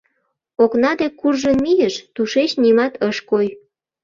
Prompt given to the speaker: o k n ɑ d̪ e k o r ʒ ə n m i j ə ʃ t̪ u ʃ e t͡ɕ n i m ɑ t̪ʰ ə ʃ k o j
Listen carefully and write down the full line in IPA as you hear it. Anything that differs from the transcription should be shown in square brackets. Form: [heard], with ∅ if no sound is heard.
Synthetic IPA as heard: o k n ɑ d̪ e k [u] r ʒ ə n m i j ə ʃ t̪ u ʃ e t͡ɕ n i m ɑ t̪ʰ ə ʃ k o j